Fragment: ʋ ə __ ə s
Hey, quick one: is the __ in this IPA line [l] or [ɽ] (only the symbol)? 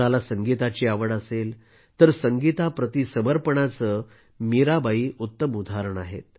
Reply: ɽ